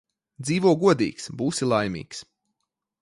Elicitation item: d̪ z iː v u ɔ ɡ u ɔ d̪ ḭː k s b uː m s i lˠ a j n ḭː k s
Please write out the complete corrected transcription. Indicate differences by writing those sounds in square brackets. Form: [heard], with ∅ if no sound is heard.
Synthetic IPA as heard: d̪ z iː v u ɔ ɡ u ɔ d̪ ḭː k s b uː [∅] s i lˠ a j [m] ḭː k s